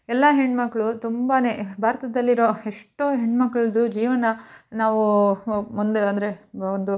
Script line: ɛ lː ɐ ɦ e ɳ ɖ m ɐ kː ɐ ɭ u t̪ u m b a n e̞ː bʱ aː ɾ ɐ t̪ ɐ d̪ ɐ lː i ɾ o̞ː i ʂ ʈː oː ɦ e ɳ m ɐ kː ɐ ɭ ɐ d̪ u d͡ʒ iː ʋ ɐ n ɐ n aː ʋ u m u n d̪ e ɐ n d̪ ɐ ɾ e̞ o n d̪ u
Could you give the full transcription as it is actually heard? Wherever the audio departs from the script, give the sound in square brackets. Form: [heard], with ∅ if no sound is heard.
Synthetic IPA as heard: ɛ lː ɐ ɦ e ɳ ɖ m ɐ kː ɐ ɭ u t̪ u m b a n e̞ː bʱ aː ɾ ɐ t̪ ɐ d̪ ɐ lː i ɾ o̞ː [e] ʂ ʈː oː ɦ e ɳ m ɐ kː ɐ ɭ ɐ d̪ u d͡ʒ iː ʋ ɐ n ɐ n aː ʋ u m u n d̪ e ɐ n d̪ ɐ ɾ e̞ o n d̪ u